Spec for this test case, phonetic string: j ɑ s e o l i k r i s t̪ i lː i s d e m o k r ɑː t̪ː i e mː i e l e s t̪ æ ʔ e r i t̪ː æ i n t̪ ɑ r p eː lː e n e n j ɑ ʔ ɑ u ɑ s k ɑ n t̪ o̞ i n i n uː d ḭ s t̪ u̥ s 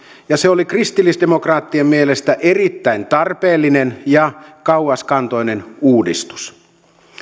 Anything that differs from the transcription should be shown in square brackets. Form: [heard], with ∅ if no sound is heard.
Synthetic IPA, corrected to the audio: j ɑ s e o l i k r i s t̪ i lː i s d e m o k r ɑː t̪ː i e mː i e l e s t̪ æ ʔ e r i t̪ː æ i n t̪ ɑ r p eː lː [i] n e n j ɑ [k] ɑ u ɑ s k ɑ n t̪ o̞ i n [e] n uː d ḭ s t̪ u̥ s